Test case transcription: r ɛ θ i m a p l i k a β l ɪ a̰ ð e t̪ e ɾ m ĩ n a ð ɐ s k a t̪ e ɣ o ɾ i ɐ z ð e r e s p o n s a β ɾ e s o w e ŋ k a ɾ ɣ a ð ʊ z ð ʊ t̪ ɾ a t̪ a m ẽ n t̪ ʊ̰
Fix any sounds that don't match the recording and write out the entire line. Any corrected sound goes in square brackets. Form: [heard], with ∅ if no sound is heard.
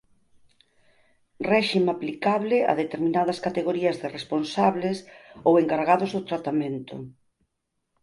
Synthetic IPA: r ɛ [ʃ] i m a p l i k a β l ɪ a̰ ð e t̪ e ɾ m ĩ n a ð ɐ s k a t̪ e ɣ o ɾ i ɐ z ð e r e s p o n s a β [l] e s o w e ŋ k a ɾ ɣ a ð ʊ z ð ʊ t̪ ɾ a t̪ a m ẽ n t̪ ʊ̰